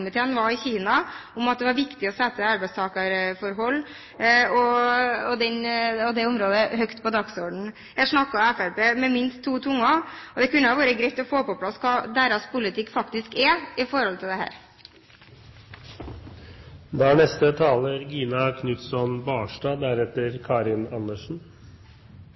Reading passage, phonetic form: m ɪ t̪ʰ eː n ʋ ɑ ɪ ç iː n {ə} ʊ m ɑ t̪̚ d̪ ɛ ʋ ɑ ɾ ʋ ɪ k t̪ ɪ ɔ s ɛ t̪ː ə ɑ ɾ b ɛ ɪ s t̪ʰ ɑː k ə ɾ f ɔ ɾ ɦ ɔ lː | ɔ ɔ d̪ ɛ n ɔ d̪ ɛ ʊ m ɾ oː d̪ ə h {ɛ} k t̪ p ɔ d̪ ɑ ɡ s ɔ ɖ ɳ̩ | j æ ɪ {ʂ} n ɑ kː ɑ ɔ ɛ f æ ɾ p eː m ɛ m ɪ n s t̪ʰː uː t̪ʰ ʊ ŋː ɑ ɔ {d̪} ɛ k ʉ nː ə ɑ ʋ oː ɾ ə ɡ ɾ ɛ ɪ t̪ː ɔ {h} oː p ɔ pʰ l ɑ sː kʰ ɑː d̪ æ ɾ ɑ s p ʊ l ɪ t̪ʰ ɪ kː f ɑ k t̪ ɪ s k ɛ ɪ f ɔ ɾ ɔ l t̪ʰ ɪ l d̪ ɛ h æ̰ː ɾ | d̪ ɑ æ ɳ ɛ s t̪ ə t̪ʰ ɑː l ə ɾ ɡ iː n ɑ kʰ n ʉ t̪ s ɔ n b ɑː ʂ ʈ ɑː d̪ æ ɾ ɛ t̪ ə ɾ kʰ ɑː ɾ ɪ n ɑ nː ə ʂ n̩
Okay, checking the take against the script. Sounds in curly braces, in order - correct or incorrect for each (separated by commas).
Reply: incorrect, incorrect, correct, correct, incorrect